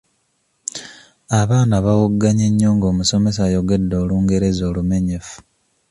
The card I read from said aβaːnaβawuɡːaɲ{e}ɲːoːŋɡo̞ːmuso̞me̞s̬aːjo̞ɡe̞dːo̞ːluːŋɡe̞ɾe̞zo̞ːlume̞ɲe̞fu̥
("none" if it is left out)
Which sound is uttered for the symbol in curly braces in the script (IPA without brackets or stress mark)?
e